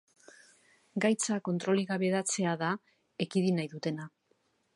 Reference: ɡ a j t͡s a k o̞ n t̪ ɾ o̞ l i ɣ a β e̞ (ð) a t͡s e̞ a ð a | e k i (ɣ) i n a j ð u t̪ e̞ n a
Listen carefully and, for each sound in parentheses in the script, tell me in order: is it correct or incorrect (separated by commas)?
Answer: correct, incorrect